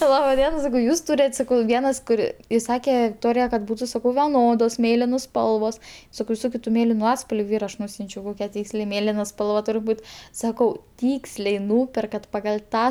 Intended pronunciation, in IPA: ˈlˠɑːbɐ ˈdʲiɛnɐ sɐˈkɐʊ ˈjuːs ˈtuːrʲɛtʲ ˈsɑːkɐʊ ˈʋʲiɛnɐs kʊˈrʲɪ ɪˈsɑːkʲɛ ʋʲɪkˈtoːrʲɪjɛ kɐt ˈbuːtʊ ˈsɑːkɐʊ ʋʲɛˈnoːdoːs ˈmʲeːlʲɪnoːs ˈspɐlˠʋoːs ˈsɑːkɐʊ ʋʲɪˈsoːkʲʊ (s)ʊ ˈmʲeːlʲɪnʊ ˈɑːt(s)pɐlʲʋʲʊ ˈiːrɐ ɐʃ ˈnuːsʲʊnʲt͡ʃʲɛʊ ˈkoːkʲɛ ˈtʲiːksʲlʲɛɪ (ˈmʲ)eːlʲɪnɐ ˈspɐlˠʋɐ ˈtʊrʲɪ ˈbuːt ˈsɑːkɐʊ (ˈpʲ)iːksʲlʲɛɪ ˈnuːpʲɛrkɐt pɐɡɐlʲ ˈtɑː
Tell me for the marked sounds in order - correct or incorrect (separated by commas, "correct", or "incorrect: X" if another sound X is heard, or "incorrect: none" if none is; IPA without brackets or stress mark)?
incorrect: t, correct, correct, incorrect: tʲ